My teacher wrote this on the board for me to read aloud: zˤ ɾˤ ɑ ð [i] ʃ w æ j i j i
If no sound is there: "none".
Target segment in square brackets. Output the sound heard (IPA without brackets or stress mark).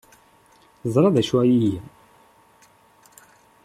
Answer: æ